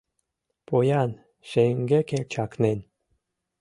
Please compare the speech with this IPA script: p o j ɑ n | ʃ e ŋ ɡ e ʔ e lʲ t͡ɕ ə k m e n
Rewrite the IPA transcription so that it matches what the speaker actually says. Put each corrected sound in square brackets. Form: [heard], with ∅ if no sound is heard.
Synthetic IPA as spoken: p o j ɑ n | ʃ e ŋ ɡ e [k] e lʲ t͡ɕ [ɑ] k [n] e n